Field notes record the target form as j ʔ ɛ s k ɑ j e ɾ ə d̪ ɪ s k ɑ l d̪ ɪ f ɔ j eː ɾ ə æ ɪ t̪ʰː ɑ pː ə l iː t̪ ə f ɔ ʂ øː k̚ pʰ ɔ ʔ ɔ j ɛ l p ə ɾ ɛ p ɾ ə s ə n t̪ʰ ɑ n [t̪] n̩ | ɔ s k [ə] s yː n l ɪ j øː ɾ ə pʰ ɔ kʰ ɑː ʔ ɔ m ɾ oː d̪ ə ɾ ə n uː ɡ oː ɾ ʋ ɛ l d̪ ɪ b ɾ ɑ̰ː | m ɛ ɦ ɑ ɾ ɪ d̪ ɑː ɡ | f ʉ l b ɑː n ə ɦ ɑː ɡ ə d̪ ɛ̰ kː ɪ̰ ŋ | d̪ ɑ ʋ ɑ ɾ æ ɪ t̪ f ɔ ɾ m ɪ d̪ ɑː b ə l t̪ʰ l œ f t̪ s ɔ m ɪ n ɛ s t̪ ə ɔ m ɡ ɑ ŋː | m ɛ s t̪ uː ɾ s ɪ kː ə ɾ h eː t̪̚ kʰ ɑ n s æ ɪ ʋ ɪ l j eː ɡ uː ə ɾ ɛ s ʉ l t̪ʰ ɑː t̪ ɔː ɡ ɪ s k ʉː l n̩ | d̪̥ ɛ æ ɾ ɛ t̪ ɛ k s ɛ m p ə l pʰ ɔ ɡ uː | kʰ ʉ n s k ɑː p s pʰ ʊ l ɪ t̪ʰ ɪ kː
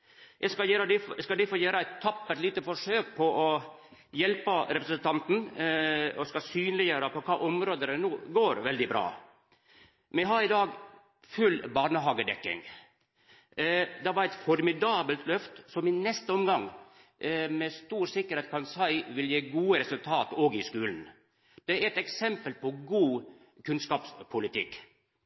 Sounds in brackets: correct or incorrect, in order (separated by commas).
correct, incorrect